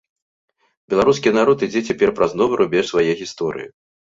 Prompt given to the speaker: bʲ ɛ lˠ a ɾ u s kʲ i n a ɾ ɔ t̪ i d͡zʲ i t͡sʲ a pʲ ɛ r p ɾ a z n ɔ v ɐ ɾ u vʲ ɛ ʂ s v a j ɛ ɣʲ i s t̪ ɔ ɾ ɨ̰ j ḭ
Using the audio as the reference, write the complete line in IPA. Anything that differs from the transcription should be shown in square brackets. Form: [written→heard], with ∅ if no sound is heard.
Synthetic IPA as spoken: bʲ ɛ lˠ a ɾ u s kʲ i n a ɾ ɔ t̪ i d͡zʲ [i→ɛ] t͡sʲ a pʲ ɛ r p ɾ a z n ɔ v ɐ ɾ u [vʲ→bʲ] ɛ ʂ s v a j ɛ ɣʲ i s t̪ ɔ ɾ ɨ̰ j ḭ